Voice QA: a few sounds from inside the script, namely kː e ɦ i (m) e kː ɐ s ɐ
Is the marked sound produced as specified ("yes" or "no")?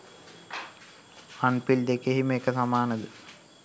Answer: yes